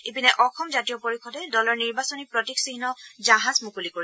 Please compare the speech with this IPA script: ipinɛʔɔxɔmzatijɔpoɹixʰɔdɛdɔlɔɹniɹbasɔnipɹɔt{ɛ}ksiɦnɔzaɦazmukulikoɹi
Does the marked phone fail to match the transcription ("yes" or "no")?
yes